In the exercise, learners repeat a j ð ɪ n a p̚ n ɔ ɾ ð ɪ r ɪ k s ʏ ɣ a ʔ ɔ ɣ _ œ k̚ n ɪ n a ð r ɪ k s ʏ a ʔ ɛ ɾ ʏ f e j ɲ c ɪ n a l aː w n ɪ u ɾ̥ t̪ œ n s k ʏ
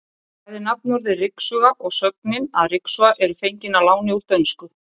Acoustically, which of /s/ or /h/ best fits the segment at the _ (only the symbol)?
s